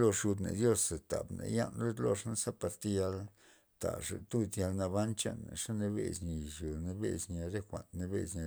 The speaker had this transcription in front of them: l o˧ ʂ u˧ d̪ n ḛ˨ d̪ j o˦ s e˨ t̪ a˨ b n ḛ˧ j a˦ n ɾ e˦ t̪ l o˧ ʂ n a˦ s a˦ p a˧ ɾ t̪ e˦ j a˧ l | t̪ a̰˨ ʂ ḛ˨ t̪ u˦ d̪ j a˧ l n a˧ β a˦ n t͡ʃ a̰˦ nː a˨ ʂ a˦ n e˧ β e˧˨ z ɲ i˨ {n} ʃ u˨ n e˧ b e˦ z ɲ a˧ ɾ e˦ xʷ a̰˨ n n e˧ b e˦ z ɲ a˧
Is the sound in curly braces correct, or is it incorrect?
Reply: incorrect